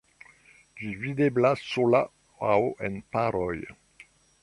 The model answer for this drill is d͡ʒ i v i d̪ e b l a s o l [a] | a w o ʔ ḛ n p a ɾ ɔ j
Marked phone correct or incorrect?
correct